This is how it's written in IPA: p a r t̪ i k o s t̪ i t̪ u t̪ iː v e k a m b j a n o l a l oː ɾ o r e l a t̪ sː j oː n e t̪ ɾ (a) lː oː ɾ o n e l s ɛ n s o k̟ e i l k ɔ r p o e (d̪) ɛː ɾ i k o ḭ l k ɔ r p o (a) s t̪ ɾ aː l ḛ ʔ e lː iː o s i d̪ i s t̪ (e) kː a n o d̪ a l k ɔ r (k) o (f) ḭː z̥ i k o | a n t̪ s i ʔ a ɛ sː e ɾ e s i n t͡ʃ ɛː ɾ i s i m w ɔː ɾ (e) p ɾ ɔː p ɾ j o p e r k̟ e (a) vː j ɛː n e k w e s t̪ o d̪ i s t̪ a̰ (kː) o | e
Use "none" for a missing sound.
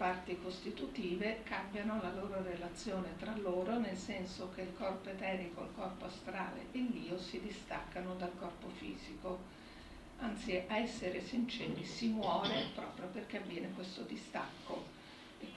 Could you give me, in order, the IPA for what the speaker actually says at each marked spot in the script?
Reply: a, t̪, a, a, p, f, e, a, kː

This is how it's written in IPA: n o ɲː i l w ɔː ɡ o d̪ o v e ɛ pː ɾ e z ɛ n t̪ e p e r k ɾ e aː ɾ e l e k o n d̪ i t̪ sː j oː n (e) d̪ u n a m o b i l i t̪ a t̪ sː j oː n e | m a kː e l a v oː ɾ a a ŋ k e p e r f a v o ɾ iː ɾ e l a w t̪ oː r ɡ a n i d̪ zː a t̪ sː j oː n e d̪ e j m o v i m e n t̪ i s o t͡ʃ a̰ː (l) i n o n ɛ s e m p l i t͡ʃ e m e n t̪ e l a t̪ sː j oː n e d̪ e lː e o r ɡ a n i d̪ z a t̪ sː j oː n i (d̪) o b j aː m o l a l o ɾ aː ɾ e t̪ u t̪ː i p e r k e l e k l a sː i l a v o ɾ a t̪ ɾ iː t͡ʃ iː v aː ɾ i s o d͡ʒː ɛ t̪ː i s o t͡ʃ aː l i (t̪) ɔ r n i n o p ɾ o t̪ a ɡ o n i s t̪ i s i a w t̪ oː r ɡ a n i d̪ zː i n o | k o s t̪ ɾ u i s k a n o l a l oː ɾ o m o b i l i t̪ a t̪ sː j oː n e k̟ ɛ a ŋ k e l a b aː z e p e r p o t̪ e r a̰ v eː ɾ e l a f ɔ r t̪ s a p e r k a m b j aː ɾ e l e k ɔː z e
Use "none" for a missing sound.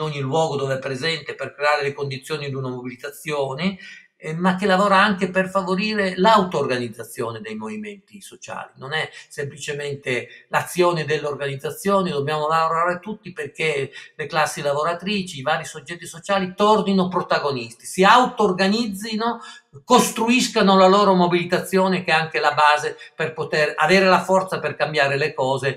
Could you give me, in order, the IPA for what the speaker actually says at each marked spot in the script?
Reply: i, l, d̪, t̪

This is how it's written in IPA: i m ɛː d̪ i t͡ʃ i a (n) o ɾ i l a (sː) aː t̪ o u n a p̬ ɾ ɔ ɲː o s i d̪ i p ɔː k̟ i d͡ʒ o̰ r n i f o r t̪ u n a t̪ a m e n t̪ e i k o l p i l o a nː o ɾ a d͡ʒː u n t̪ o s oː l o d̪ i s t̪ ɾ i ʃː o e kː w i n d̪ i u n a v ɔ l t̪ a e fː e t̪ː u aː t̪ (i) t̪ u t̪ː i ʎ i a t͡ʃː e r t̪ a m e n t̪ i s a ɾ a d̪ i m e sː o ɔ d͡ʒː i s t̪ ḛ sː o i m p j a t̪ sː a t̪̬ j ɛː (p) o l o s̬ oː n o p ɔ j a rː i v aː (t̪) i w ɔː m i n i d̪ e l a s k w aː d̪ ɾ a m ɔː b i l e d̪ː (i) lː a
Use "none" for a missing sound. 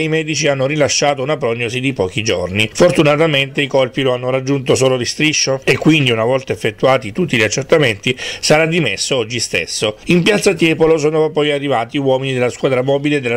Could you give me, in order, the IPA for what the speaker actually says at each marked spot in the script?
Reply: nː, ʃː, i, p, t̪, e

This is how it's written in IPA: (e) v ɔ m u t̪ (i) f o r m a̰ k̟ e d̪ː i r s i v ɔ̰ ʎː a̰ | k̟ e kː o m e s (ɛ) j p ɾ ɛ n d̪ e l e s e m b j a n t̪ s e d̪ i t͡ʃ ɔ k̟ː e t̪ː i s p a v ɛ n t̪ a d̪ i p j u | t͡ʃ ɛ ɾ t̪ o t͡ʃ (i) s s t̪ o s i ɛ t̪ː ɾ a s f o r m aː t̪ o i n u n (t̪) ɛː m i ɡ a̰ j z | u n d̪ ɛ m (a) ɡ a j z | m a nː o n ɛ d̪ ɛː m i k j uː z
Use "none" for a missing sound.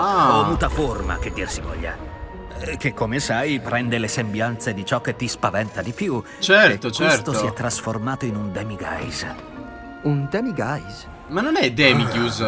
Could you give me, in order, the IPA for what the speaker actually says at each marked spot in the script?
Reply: a, a, a, ɛ, d̪, i

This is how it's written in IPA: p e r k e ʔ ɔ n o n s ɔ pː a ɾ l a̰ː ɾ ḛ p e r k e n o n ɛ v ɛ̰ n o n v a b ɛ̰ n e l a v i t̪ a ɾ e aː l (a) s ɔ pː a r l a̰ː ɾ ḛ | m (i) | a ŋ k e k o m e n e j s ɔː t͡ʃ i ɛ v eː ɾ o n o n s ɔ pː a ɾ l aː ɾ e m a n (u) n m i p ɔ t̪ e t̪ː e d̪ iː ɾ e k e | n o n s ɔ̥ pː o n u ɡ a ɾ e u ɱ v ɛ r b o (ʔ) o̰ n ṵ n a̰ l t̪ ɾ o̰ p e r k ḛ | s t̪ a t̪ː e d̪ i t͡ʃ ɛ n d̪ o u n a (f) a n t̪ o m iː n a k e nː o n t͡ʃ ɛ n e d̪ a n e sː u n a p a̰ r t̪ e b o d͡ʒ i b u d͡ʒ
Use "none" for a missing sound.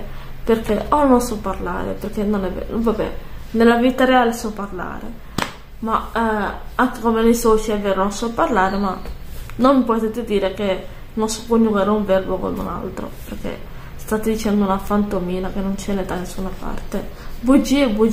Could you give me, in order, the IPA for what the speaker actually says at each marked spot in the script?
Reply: e, a, o, k, f

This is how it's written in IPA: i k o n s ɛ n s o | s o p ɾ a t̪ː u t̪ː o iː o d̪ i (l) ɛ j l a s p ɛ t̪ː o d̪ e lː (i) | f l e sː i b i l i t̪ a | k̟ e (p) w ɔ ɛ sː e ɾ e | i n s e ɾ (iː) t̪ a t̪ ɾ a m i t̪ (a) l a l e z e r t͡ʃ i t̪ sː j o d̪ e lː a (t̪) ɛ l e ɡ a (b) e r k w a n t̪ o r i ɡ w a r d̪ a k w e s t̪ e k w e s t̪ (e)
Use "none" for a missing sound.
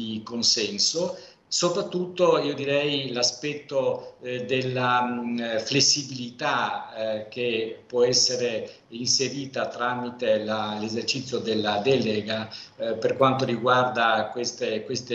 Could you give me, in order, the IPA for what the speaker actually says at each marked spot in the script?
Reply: ɾ, a, p, iː, e, d̪, p, e

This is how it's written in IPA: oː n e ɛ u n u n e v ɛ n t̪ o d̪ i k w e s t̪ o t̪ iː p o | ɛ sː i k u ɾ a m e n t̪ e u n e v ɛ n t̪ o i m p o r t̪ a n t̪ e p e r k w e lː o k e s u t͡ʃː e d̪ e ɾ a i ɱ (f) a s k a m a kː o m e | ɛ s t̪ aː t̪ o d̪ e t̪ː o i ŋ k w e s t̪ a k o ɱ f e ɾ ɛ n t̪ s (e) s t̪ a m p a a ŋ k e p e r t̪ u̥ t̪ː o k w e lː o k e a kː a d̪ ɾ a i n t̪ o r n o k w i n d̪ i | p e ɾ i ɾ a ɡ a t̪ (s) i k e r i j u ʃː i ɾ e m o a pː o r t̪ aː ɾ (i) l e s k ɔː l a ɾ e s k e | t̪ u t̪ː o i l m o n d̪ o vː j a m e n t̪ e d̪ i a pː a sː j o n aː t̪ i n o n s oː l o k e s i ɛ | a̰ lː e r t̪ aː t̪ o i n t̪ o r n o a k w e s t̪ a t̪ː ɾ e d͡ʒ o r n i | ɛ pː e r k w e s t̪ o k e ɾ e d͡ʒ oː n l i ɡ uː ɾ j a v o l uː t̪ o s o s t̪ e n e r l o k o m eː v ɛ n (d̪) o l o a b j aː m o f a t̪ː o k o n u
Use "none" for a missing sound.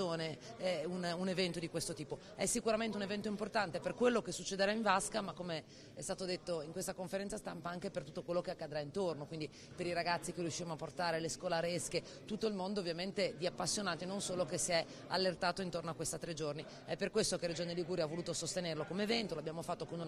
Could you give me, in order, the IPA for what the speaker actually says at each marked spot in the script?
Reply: v, a, sː, e, t̪

